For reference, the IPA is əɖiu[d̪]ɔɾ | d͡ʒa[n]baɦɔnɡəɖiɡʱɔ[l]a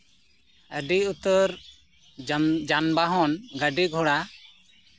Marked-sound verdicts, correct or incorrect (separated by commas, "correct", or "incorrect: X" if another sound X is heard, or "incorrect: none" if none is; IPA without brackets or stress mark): incorrect: t̪, correct, incorrect: ɽ